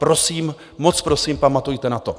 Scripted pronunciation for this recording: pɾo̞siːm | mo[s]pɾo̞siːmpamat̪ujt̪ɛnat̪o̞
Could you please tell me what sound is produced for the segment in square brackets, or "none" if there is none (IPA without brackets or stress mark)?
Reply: t͡s